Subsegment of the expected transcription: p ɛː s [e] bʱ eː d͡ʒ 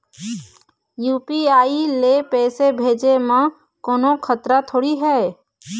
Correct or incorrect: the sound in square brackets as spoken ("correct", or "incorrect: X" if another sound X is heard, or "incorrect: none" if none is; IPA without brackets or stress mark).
correct